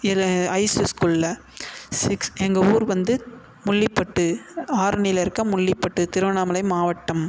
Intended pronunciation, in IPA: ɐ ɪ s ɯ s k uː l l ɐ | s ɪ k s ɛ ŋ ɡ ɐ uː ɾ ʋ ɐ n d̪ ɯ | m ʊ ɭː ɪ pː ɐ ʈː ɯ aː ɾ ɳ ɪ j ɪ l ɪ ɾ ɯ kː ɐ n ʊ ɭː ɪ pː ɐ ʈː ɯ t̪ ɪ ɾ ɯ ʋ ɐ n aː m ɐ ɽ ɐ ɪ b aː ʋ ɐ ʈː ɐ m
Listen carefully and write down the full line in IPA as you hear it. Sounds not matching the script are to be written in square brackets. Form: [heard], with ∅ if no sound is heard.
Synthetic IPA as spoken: ɐ ɪ s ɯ s k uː l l ɐ | s ɪ k s ɛ ŋ ɡ ɐ uː ɾ ʋ ɐ n d̪ ɯ | m ʊ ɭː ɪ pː ɐ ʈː ɯ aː ɾ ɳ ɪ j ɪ l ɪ ɾ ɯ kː ɐ [m] ʊ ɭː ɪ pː ɐ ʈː ɯ t̪ ɪ ɾ ɯ ʋ ɐ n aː m ɐ [l] ɐ ɪ [m] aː ʋ ɐ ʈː ɐ m